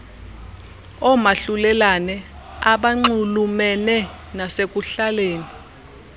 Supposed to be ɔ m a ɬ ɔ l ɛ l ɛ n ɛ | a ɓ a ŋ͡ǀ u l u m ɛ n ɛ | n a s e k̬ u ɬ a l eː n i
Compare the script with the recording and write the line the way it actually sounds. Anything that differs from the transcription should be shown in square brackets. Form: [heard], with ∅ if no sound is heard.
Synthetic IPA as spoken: ɔ m a ɬ [u] l ɛ l [a] n ɛ | a ɓ a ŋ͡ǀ u l u m ɛ n ɛ | n a s e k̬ u ɬ a l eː n i